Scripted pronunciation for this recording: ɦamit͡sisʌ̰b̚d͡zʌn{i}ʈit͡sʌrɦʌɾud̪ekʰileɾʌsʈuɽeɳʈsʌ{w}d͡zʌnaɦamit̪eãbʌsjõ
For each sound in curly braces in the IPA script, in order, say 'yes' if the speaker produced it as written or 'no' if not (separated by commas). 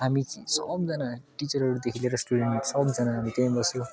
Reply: no, no